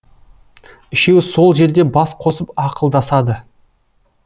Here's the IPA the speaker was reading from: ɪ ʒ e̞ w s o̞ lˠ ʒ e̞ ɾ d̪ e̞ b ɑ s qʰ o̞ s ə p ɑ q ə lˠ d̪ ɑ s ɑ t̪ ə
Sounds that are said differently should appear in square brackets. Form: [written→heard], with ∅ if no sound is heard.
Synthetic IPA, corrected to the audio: ɪ [ʒ→ʃ] e̞ w s o̞ lˠ ʒ e̞ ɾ d̪ e̞ b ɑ s qʰ o̞ s ə p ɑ q ə lˠ d̪ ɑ s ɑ [t̪→d̪] ə

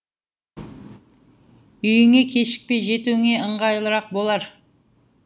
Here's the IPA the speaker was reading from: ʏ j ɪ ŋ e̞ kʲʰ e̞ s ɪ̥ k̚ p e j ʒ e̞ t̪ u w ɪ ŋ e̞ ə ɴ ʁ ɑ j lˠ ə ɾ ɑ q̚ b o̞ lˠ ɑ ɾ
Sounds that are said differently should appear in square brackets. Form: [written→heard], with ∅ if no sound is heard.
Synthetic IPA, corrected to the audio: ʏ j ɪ ŋ e̞ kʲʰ e̞ [s→ʃ] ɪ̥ k̚ p e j ʒ e̞ t̪ u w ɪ ŋ e̞ ə ɴ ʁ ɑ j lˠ ə ɾ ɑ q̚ b o̞ lˠ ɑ ɾ

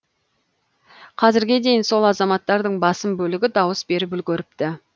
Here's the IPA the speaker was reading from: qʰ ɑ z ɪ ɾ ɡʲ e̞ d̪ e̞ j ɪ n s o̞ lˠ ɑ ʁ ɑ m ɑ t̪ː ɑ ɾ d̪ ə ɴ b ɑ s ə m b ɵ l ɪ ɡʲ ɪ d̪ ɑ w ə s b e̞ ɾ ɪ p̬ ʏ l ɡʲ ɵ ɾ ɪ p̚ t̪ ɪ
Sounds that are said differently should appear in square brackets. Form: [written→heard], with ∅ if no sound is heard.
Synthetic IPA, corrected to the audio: qʰ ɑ z ɪ ɾ ɡʲ e̞ d̪ e̞ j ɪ n s o̞ lˠ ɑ [ʁ→z] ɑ m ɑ t̪ː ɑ ɾ d̪ ə ɴ b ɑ s ə m b ɵ l ɪ ɡʲ ɪ d̪ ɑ w ə s b e̞ ɾ ɪ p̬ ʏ l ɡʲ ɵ ɾ ɪ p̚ t̪ ɪ

